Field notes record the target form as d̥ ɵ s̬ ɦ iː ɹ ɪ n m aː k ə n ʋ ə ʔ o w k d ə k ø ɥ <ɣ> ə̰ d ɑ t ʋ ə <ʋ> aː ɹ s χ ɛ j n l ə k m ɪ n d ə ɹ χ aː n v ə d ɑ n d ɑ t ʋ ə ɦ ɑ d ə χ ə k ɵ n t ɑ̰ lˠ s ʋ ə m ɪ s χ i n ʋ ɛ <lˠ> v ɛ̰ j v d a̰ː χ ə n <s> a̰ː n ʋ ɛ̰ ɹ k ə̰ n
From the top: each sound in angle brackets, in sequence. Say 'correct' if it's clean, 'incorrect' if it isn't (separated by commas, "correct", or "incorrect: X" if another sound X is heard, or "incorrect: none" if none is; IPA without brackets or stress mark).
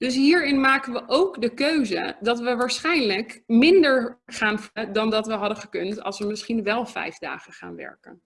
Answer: incorrect: z, correct, correct, incorrect: χ